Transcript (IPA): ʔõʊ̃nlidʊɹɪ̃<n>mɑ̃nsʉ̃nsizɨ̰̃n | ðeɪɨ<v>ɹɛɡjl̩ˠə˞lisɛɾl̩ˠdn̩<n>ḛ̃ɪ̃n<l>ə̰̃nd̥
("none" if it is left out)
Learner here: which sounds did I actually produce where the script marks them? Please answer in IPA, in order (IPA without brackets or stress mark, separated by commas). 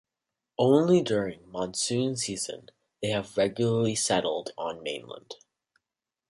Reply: ŋ, v, m, l